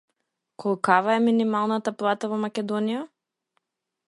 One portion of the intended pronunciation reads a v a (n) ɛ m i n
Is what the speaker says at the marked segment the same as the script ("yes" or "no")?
no